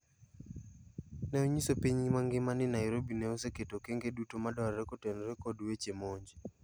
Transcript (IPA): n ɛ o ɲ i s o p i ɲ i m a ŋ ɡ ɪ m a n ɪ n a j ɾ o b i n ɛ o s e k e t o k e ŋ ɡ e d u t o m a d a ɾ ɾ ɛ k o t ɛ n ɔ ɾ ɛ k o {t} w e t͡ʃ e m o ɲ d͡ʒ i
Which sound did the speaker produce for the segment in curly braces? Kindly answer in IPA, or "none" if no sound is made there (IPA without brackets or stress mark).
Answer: d